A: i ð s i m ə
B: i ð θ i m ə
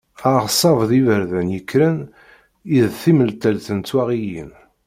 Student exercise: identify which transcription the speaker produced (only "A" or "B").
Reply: B